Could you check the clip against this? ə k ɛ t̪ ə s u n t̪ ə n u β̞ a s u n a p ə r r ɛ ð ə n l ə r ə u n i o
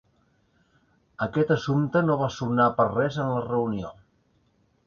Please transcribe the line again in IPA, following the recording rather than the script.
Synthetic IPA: ə k ɛ t̪ ə s u m t̪ ə n o β̞ a s u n a p ə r r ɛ z ə n l ə r ə u n i o